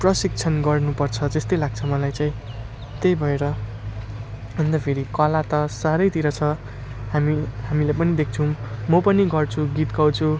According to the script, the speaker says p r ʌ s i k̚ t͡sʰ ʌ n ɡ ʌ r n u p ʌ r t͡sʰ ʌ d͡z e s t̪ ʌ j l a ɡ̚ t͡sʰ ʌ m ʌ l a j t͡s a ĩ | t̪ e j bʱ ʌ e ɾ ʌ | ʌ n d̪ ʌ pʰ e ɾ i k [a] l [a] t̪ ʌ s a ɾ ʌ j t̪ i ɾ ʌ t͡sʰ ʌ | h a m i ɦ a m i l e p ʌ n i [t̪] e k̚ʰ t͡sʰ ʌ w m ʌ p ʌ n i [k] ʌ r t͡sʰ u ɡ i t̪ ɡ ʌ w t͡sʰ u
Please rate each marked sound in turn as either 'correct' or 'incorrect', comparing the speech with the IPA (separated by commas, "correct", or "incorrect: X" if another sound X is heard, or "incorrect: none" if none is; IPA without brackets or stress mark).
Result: incorrect: ʌ, correct, incorrect: d̪, incorrect: ɡ